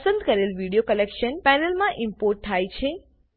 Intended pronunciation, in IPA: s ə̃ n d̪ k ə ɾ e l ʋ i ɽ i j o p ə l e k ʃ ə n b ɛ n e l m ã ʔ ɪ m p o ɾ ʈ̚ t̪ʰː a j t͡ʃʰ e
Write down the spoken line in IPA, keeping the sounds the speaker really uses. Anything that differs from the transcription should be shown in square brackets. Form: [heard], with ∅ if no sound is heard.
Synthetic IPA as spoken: s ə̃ n d̪ k ə ɾ e l ʋ i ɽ i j o [k] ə l e k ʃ ə n [p] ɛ n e l m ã ʔ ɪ m p o ɾ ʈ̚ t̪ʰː a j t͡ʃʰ e